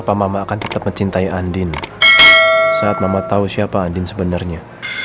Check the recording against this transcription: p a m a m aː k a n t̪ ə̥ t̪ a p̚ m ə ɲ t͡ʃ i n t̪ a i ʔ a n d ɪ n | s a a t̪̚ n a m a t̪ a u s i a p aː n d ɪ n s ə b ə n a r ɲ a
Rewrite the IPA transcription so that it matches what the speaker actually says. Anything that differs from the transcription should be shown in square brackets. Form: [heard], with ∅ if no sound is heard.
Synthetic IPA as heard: p a m a m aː k a n t̪ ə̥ t̪ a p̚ m ə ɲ t͡ʃ i n t̪ a i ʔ a n d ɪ n | s a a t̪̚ [m] a m a t̪ a u s i a p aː n d ɪ n s ə b ə n a r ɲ a

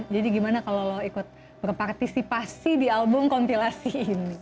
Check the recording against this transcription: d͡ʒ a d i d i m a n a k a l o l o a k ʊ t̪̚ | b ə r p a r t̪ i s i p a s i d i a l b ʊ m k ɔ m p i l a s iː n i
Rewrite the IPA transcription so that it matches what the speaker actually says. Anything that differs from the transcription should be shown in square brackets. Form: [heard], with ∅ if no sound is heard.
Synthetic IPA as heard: d͡ʒ a d i [ɡ] i m a n a k a l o l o [i] k ʊ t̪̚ | b ə r p a r t̪ i s i p a s i d i a l b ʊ m k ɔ m p i l a s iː n i

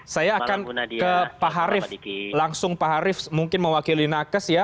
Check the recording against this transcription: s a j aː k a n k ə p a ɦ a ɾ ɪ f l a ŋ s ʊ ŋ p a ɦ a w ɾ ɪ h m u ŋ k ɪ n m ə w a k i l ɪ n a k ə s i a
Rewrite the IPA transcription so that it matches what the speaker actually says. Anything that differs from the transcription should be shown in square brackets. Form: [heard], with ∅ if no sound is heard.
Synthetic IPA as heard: s a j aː k a n k ə p a ɦ a ɾ ɪ f l a ŋ s ʊ ŋ p a ɦ a [∅] ɾ ɪ [f] m u ŋ k ɪ n m ə w a k i l [i] n a k ə s [j] a

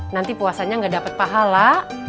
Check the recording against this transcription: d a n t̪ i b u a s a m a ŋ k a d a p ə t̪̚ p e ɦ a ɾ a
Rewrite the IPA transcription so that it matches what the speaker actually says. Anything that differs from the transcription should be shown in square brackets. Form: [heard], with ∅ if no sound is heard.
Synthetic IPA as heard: [n] a n t̪ i [p] u a s a [ɲ] a ŋ [ɡ] a d a p ə t̪̚ p [a] ɦ a [l] a

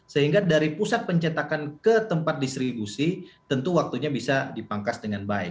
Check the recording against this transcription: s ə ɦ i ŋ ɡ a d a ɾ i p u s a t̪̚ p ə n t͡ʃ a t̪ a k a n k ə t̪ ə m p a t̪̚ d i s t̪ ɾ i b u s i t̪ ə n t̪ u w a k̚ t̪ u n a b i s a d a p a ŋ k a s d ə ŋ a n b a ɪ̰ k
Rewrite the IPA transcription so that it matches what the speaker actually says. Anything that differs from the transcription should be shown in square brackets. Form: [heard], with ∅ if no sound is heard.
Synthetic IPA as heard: s ə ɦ i ŋ ɡ a d a ɾ i p u s a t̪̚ p ə [ɲ] t͡ʃ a t̪ a k a n k ə t̪ ə m p a t̪̚ d i s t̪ ɾ i b u s i t̪ ə n t̪ u w a k̚ t̪ u [ɲ] a b i s a d [i] p a ŋ k a s d ə ŋ a n b a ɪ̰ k

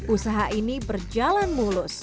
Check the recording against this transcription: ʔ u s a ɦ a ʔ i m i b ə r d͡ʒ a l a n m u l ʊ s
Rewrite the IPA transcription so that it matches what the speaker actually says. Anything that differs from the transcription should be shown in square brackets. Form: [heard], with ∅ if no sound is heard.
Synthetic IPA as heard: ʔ u s a ɦ a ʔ i [n] i b ə r d͡ʒ a l a n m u l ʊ s

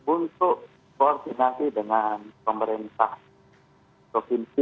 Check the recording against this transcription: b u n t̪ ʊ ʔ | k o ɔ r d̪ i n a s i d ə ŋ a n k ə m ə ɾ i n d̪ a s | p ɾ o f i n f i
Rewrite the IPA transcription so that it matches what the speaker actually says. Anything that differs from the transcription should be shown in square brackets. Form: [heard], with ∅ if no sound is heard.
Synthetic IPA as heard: b u n t̪ ʊ ʔ | k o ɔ r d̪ i n a s i d ə ŋ a n [p] ə m ə ɾ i n [t̪] a [h] | p ɾ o f i n [s] i

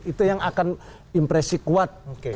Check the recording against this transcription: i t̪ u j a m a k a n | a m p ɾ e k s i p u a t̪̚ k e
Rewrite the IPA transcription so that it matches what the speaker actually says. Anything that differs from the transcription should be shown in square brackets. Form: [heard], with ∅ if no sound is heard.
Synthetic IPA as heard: i t̪ u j a [ŋ] a k a n | [i] m p ɾ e [∅] s i [k] u a t̪̚ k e

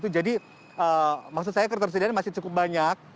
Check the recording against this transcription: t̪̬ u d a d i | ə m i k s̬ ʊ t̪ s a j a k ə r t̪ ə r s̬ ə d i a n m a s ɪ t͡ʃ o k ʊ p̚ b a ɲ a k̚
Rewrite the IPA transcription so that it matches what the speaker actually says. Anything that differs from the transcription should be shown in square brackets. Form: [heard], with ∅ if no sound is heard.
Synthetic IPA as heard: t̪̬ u [d͡ʒ] a d i | ə m [a] k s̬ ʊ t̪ s a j a k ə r t̪ ə r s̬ ə d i a n m a s ɪ t͡ʃ [u] k ʊ p̚ b a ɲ a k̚

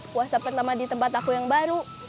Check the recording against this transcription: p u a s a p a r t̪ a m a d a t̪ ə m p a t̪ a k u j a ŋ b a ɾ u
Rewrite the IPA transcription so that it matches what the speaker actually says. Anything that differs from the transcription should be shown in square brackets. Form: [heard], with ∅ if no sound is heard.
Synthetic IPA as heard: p u a s a p [ə] r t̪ a m a d [i] t̪ ə m p a t̪ a k u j a ŋ b a ɾ u

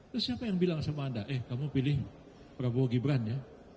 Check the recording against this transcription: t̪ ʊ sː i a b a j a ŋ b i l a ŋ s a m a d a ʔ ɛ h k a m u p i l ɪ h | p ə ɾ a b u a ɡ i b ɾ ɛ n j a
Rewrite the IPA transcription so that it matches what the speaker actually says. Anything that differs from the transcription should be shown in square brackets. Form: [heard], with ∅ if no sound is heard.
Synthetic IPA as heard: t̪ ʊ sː i a [p] a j a ŋ b i l a ŋ s a m a d a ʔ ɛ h k a m u p i l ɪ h | p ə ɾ a b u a ɡ i b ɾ [a] n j a

